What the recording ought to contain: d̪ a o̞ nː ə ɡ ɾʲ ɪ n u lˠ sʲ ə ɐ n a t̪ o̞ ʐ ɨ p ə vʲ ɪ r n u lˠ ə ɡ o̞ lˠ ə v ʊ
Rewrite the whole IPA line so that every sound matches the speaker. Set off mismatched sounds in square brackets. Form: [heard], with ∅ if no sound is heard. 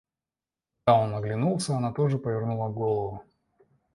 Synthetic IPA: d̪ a o̞ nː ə ɡ [lʲ] ɪ n u lˠ sʲ ə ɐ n a t̪ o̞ ʐ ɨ p ə vʲ ɪ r n u lˠ ə ɡ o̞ lˠ ə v ʊ